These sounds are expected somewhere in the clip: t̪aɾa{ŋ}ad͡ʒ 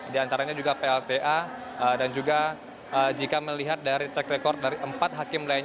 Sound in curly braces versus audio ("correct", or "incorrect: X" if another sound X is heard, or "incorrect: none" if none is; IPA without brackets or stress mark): incorrect: ɲ